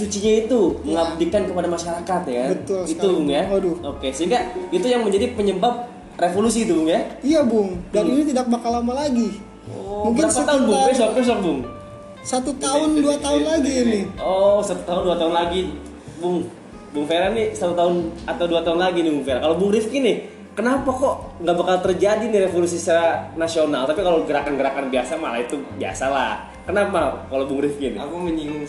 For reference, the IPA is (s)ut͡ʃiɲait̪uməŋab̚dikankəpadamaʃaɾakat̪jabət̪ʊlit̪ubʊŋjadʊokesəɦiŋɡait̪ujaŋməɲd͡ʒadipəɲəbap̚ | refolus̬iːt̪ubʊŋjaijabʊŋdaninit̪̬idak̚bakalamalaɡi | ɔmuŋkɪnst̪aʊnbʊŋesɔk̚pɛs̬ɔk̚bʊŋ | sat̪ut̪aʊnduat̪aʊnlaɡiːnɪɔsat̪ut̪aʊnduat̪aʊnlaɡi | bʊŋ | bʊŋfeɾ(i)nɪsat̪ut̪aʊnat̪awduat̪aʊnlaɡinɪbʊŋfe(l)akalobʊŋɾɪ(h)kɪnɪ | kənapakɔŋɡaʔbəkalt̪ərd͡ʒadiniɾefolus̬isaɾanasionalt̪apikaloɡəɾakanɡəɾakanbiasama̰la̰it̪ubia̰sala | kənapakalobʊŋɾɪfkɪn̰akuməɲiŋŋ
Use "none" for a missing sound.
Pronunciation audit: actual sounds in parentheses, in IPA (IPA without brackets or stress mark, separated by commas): s, a, ɾ, f